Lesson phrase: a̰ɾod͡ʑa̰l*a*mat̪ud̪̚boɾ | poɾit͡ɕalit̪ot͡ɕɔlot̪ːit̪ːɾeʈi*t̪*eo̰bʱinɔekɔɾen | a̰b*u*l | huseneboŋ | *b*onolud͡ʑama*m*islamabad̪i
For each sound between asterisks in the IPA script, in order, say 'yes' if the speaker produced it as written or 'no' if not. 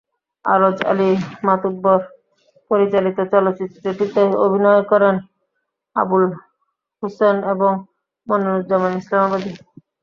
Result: no, yes, yes, no, no

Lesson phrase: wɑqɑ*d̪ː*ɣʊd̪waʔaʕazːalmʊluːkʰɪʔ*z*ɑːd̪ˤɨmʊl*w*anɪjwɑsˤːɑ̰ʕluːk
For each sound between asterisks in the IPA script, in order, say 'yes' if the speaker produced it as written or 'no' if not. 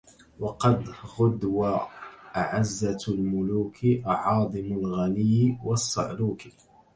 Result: no, no, no

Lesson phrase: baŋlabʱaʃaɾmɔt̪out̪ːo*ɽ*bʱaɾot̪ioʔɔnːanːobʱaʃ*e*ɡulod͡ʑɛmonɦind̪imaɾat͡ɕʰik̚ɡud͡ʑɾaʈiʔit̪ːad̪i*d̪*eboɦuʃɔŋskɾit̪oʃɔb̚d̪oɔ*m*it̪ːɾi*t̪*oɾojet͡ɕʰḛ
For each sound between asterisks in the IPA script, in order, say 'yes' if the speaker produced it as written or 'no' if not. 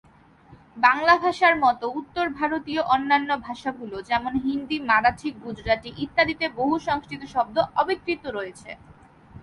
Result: no, no, no, no, yes

